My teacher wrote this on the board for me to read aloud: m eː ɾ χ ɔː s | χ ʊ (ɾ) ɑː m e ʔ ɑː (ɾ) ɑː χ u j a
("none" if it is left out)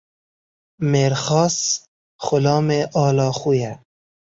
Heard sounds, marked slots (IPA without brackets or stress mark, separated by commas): l, l